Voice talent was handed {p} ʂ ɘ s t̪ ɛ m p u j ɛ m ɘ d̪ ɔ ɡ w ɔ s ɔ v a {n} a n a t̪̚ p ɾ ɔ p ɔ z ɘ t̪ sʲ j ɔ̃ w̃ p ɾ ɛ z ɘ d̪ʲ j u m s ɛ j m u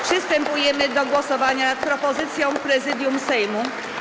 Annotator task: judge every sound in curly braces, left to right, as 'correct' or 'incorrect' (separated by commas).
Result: correct, incorrect